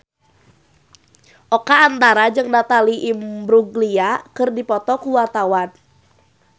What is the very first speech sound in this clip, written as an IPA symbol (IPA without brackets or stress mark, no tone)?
ʔ